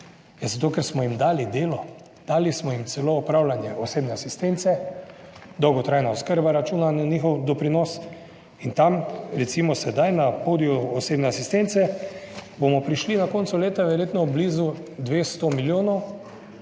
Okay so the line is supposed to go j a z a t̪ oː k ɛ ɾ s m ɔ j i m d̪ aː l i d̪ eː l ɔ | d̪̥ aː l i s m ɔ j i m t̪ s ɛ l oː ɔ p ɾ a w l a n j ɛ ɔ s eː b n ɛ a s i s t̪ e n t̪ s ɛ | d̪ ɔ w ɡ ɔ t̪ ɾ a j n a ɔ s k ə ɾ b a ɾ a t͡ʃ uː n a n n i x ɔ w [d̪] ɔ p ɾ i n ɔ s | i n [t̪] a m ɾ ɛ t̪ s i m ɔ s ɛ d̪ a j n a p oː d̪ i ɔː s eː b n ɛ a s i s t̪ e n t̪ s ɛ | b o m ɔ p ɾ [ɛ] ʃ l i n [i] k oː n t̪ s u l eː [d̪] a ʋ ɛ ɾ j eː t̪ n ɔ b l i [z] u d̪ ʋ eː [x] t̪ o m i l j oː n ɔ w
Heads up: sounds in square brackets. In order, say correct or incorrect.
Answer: correct, correct, incorrect: i, incorrect: a, incorrect: t̪, correct, incorrect: s

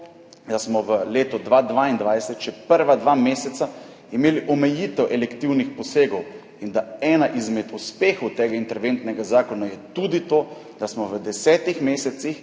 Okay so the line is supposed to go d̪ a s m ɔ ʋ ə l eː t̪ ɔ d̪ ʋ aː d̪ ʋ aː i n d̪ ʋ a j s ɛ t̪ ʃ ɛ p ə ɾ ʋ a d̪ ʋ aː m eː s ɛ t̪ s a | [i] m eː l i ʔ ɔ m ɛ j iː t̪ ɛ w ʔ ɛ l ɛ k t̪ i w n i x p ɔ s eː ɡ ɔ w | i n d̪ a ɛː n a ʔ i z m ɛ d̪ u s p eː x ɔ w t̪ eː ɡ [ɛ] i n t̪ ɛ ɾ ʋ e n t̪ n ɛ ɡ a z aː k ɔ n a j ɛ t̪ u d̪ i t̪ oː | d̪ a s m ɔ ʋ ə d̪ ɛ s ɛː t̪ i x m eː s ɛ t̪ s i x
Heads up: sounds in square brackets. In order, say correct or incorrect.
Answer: correct, incorrect: a

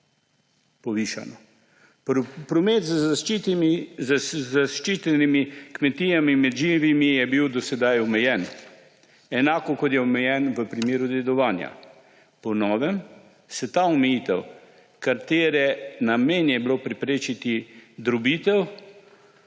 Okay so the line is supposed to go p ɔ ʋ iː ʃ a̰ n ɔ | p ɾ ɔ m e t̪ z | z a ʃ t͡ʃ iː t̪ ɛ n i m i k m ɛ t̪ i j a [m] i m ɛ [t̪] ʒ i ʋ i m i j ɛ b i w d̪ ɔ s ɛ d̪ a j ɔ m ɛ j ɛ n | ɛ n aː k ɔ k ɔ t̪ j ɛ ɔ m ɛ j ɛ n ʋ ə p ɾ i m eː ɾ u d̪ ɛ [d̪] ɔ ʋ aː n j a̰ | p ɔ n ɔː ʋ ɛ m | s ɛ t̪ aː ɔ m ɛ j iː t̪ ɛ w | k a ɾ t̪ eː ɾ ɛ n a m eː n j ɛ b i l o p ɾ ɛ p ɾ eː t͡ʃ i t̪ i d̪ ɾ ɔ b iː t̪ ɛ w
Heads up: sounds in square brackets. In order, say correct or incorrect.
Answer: correct, incorrect: d̪, correct

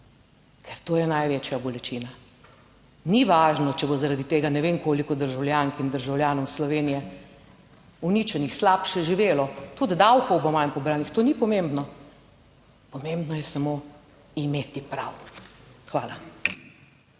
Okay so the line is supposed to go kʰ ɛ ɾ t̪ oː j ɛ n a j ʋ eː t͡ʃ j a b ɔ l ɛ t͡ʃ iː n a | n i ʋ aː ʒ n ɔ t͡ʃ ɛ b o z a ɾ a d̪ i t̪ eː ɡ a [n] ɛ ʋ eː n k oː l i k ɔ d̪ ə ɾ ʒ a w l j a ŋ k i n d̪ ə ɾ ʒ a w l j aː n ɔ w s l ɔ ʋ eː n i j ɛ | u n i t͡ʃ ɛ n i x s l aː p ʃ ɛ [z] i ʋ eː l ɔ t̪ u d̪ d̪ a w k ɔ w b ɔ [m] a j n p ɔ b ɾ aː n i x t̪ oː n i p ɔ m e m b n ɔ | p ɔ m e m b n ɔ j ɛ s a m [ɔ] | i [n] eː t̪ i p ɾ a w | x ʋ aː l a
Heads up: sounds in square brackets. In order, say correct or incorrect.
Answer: correct, incorrect: ʒ, correct, incorrect: o, incorrect: m

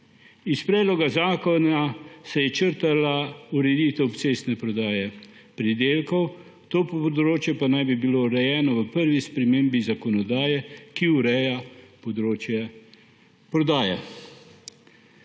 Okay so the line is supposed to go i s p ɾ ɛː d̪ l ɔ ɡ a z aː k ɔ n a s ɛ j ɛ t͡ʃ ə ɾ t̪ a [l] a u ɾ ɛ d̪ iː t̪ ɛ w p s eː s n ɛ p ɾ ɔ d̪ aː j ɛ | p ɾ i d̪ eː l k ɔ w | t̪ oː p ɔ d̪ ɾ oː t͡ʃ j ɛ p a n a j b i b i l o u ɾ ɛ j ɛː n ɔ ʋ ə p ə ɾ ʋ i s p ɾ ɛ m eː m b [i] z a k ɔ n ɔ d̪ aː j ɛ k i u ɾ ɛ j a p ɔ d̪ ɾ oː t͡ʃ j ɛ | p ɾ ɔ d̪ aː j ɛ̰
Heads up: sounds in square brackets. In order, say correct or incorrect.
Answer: correct, correct

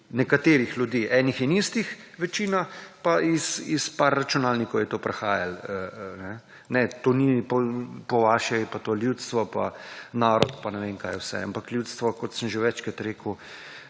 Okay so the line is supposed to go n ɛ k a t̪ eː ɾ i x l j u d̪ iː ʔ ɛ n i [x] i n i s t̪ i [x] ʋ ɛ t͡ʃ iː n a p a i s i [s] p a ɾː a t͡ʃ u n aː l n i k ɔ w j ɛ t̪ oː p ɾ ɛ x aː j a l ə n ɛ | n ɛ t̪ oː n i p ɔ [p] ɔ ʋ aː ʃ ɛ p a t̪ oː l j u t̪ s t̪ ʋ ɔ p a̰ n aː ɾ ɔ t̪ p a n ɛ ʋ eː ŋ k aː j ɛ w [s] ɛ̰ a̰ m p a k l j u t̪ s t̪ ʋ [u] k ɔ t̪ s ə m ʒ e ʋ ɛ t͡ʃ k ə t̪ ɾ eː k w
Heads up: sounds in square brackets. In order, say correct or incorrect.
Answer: correct, correct, correct, correct, correct, incorrect: ɔ

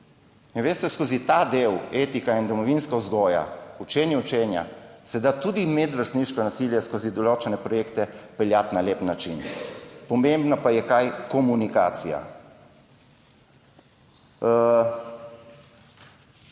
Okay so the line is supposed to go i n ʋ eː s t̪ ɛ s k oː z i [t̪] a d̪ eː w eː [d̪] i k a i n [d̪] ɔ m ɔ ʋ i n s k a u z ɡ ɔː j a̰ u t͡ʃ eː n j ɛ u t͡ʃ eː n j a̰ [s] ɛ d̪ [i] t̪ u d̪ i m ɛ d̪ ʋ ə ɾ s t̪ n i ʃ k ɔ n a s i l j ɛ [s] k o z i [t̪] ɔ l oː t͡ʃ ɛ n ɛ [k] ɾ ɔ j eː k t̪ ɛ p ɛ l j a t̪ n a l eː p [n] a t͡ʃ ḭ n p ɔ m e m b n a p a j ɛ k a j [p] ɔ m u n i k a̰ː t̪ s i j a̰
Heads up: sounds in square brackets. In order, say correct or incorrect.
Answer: correct, incorrect: t̪, correct, correct, incorrect: a, correct, incorrect: d̪, incorrect: p, correct, incorrect: k

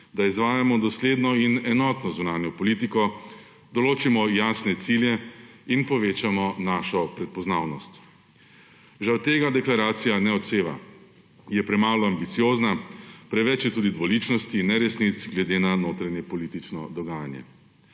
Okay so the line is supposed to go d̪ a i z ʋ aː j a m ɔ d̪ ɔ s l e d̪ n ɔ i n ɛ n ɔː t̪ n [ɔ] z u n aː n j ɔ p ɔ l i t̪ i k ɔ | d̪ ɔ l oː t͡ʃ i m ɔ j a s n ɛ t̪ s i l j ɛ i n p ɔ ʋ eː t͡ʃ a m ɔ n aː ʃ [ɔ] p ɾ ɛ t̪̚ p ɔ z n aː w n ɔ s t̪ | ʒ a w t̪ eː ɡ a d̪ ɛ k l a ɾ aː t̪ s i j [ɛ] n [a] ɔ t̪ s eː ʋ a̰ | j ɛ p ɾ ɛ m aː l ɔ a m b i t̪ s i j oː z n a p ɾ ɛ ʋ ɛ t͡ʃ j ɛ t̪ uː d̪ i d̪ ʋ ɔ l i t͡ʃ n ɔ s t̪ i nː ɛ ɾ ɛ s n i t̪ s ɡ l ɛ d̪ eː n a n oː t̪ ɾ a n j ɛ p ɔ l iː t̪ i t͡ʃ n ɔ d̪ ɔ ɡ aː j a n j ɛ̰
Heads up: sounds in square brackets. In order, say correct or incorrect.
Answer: correct, correct, incorrect: a, incorrect: ɛ

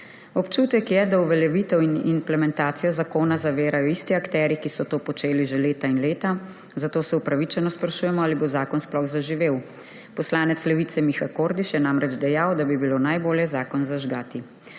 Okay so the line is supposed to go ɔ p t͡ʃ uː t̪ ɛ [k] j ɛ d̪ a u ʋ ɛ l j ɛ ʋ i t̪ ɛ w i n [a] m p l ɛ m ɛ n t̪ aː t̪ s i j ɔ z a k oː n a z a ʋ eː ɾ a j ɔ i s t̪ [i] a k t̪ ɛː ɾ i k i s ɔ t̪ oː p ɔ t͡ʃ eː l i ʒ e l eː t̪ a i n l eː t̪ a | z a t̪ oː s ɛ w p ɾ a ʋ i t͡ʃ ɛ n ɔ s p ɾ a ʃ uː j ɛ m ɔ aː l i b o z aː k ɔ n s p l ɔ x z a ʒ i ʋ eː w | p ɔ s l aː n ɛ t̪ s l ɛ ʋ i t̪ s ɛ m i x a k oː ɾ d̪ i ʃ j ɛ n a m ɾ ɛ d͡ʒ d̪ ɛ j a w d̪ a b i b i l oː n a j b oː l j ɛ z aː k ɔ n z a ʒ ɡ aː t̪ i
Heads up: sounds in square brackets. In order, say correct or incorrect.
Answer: correct, incorrect: i, correct

